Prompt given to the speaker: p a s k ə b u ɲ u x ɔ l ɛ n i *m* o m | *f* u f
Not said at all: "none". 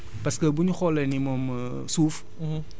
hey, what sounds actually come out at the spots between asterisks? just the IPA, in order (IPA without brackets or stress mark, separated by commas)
m, s